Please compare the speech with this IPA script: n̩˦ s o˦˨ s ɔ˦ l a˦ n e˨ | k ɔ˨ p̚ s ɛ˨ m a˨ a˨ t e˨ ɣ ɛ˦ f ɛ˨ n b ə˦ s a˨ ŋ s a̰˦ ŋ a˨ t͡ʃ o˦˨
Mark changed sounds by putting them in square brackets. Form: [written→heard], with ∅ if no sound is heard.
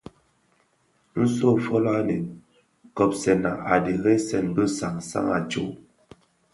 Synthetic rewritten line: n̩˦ s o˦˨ [s→f] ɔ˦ l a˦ n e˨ | k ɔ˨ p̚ s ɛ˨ [m→n] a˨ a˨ [t→d] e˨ ɣ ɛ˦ [f→s] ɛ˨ n b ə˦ s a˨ ŋ s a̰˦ ŋ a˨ t͡ʃ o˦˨